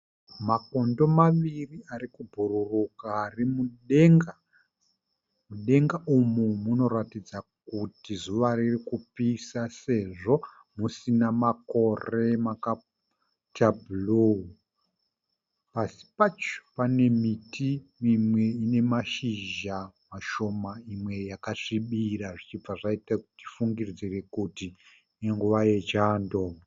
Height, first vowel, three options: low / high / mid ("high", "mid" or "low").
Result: low